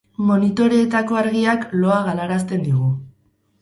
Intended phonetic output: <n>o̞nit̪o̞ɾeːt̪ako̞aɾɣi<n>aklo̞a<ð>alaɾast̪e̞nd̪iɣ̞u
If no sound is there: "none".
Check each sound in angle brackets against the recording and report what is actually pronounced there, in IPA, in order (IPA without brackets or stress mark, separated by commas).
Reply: m, none, ɣ